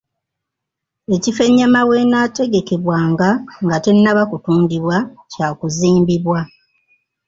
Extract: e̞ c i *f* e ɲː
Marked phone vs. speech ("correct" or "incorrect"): correct